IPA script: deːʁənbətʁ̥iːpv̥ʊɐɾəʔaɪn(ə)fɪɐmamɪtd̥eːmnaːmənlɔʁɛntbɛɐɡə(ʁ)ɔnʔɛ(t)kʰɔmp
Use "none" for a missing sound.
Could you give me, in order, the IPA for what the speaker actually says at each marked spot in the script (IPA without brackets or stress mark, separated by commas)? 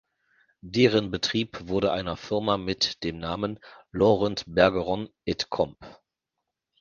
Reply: ɐ, ʁ, t